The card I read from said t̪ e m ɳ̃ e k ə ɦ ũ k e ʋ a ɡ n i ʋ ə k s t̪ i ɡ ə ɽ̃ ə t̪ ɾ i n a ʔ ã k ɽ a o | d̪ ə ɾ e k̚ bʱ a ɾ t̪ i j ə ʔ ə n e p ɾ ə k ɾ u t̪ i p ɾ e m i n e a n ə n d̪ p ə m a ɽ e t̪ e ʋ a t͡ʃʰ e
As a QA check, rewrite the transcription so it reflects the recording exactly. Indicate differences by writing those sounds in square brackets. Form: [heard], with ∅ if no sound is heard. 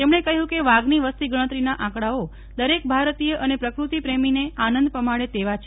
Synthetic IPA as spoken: t̪ e m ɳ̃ e k ə ɦ ũ k e ʋ a ɡ n i ʋ ə [∅] s t̪ i ɡ ə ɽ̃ ə t̪ ɾ i n a ʔ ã k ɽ a o | d̪ ə ɾ e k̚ bʱ a ɾ t̪ i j ə ʔ ə n e p ɾ ə k ɾ u t̪ i p ɾ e m i n e a n ə n d̪ p ə m a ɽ e t̪ e ʋ a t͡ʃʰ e